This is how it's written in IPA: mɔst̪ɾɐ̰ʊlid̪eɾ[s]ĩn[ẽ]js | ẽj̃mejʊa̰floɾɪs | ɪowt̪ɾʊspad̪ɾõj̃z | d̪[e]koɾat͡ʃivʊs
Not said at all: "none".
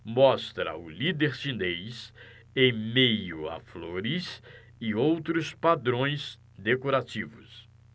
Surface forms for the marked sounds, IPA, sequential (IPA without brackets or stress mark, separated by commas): s, e, e